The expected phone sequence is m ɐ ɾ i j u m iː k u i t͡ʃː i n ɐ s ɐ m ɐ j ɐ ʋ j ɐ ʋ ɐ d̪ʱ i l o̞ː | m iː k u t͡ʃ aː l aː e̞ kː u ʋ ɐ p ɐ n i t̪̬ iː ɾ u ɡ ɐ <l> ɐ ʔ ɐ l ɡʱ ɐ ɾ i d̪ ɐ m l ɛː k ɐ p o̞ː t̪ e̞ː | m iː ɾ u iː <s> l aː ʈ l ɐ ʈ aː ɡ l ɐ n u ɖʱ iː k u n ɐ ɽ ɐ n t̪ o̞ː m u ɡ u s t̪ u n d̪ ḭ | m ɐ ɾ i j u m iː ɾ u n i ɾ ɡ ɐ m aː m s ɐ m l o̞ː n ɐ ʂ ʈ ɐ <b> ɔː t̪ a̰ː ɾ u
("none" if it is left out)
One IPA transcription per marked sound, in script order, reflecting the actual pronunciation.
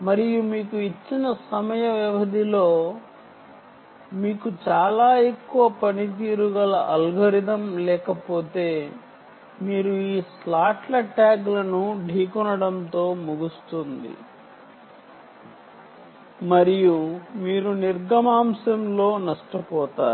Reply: l, s, p

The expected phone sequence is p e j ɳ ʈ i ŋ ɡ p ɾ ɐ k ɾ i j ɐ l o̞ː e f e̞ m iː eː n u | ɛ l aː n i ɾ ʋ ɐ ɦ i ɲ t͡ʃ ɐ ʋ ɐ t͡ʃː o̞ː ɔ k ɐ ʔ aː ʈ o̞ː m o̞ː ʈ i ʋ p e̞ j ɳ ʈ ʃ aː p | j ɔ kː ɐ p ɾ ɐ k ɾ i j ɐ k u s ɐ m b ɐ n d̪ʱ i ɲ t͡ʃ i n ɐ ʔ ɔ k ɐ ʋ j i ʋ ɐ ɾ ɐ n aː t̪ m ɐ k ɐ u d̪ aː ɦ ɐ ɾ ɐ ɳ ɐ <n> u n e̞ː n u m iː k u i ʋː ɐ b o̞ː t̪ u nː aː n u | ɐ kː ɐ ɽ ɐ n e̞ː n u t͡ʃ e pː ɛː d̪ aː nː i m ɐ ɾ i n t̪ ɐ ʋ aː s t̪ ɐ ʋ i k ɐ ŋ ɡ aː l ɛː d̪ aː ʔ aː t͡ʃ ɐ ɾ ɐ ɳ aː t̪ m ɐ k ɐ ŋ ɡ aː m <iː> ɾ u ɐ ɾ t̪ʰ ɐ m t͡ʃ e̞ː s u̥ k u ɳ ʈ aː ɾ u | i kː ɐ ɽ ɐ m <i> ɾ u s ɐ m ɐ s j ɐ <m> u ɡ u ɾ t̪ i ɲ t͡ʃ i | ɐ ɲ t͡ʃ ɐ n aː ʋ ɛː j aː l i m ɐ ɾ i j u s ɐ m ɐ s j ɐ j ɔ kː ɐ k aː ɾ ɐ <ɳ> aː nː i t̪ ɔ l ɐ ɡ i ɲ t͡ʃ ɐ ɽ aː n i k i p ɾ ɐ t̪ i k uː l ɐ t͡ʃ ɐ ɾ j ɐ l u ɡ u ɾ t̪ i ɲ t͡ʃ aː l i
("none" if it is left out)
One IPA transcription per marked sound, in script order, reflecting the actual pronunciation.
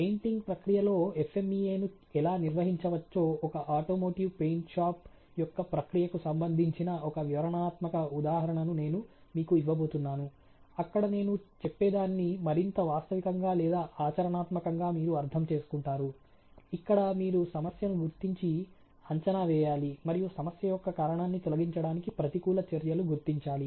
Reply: n, iː, iː, n, ɳ

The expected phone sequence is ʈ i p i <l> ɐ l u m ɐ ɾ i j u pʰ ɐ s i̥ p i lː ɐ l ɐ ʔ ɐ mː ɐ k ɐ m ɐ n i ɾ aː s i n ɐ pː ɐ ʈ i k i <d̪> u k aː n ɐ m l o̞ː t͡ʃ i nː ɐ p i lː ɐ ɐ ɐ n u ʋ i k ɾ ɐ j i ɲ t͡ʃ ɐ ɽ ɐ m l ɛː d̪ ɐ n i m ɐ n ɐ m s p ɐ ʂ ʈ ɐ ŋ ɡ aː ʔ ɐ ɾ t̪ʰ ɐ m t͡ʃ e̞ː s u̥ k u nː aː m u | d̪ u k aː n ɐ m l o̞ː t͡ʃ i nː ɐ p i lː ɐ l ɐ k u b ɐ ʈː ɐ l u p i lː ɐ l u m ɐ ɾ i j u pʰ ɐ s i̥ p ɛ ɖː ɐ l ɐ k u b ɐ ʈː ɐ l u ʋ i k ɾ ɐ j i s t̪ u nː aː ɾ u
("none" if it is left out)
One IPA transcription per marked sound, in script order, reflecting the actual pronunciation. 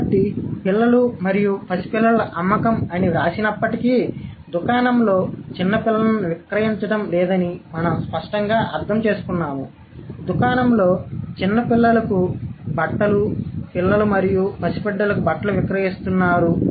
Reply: lː, d̪

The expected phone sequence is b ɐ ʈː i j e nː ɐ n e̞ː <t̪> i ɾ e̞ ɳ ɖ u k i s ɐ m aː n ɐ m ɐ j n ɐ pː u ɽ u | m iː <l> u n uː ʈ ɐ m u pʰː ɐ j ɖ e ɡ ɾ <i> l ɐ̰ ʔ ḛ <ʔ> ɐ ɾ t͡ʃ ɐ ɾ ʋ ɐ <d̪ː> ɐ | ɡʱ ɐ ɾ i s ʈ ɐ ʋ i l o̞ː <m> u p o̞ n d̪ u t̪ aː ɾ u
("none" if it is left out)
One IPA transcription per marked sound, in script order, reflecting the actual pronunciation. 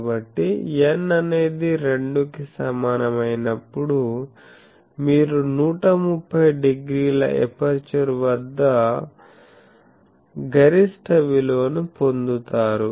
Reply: d̪, ɾ, iː, p, d̪ː, n

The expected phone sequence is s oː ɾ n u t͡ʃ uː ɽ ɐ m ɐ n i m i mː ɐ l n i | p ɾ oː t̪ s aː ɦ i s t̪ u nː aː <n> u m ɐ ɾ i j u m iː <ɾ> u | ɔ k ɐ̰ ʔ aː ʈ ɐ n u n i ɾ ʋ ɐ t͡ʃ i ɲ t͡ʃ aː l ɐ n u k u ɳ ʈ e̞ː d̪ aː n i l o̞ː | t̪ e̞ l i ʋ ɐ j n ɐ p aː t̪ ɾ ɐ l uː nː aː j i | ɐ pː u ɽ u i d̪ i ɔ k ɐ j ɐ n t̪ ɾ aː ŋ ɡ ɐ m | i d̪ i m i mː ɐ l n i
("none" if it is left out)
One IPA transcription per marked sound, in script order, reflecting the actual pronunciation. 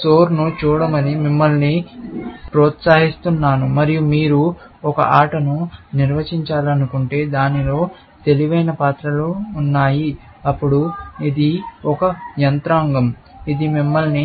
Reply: n, ɾ

